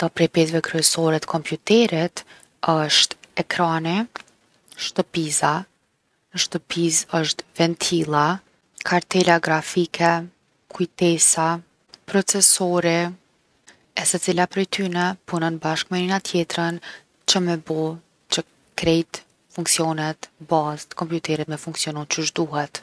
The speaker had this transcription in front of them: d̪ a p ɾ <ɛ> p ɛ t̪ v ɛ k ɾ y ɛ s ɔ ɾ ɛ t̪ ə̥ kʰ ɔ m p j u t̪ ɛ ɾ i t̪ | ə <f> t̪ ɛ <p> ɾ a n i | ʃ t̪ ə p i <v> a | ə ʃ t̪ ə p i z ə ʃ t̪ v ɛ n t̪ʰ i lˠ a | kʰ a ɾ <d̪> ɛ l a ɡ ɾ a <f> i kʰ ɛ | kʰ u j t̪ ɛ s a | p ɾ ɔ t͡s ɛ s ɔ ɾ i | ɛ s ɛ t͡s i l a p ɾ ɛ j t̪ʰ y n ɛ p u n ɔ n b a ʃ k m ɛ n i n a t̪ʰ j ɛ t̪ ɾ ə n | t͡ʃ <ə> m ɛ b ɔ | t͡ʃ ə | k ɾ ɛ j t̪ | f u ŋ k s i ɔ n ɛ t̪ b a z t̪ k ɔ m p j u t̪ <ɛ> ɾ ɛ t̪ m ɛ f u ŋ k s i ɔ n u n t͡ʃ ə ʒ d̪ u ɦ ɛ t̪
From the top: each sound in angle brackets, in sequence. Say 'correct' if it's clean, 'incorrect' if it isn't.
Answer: correct, incorrect: ʃ, incorrect: k, incorrect: z, incorrect: t̪, correct, correct, correct

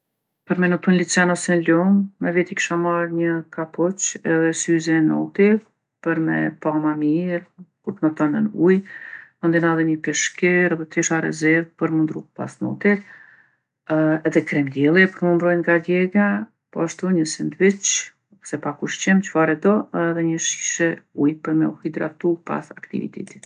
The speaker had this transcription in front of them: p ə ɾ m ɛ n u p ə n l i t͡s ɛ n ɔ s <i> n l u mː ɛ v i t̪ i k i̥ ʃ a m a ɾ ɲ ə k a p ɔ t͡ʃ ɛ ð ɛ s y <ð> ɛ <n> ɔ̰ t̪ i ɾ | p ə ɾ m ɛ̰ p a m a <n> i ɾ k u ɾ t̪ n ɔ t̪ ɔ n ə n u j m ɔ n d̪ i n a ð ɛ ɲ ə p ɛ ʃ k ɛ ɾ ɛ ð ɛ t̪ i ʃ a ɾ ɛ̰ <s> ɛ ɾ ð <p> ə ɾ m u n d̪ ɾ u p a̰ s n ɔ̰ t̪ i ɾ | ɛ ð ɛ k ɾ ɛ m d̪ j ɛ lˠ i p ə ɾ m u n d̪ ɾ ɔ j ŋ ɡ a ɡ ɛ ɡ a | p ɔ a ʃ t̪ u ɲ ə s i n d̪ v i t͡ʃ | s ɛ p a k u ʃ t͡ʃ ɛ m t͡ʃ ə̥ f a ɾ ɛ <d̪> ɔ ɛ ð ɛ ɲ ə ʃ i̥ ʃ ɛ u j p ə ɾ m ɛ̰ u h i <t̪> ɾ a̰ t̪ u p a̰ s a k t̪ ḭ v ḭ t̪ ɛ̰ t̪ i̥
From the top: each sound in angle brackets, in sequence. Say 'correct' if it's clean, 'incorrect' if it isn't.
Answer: incorrect: ɛ, incorrect: z, correct, incorrect: m, incorrect: z, correct, correct, incorrect: d̪

